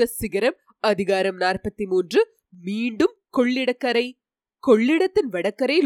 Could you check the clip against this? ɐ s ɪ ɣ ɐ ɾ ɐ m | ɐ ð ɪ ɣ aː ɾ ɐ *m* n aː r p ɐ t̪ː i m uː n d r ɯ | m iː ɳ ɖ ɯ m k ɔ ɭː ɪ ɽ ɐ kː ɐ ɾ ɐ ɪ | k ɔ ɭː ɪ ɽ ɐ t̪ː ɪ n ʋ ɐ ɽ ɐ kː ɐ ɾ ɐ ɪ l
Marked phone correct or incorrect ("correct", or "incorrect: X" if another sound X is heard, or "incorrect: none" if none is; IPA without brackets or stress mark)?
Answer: correct